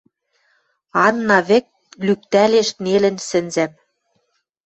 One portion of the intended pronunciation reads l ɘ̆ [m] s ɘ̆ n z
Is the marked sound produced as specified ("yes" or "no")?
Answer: no